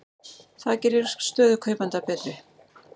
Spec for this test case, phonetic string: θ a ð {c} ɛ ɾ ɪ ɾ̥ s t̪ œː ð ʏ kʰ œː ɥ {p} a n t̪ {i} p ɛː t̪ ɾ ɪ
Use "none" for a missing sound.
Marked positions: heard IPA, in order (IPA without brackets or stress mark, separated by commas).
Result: c, p, a